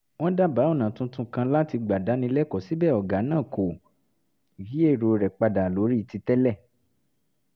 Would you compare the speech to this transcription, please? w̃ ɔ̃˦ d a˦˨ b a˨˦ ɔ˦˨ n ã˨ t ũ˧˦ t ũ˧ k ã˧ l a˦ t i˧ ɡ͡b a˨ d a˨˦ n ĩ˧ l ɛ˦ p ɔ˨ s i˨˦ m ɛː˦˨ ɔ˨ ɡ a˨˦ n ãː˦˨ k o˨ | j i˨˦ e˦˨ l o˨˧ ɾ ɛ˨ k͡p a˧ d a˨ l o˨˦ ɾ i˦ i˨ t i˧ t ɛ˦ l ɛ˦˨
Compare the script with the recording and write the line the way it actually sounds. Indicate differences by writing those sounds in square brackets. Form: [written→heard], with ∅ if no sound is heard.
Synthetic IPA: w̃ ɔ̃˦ d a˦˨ b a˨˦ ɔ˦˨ n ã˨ t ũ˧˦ t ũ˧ k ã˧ l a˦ t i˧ ɡ͡b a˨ d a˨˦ n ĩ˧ l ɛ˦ [p→k] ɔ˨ s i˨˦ [m→b] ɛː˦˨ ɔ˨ ɡ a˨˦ n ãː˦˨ k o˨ | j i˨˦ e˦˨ [l→ɾ] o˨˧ ɾ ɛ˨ k͡p a˧ d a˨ l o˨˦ ɾ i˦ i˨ t i˧ t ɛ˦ l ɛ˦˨